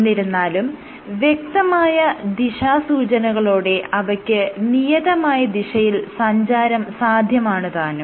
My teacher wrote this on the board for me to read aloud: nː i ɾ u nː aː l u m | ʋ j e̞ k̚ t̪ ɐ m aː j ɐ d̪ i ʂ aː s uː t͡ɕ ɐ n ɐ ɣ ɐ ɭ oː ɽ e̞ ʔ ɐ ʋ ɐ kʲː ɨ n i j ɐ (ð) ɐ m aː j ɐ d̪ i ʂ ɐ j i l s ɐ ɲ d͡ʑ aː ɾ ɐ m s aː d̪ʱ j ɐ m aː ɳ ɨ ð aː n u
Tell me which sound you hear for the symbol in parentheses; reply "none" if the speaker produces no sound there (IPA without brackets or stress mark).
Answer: ð